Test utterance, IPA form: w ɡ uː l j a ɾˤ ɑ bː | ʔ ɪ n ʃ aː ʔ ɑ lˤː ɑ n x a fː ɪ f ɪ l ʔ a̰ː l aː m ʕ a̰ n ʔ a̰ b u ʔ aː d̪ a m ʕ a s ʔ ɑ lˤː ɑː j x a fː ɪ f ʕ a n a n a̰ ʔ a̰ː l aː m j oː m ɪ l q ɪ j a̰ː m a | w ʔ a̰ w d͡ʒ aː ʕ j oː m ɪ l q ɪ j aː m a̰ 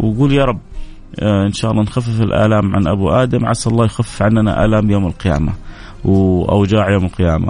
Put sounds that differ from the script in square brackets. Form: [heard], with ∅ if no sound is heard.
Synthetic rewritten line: w ɡ uː l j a ɾˤ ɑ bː | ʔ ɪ n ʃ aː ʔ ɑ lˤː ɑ n x a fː ɪ f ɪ l ʔ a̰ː l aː m ʕ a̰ n ʔ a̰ b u ʔ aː d̪ a m ʕ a s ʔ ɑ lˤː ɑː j x a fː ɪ f ʕ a n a n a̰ ʔ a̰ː l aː m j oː m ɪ l q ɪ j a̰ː m a | w ʔ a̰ w d͡ʒ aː ʕ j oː m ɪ l q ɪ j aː m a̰